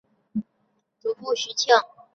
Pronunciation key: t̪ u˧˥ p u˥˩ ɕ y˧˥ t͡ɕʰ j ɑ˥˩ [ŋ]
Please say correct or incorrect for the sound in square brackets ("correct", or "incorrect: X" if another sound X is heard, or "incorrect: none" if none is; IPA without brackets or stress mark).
correct